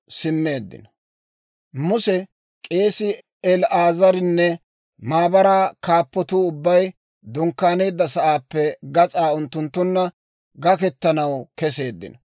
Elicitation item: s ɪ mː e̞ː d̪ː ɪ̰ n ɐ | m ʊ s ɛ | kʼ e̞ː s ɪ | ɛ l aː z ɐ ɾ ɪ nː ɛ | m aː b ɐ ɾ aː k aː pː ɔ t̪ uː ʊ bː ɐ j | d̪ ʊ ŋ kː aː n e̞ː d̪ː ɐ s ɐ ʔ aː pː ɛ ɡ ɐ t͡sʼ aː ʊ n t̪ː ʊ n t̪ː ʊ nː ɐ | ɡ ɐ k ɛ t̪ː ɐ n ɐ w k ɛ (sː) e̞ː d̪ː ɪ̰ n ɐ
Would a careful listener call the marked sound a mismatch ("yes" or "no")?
yes